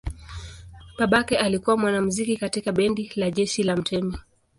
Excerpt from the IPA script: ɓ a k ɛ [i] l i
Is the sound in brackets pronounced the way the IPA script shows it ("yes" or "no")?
no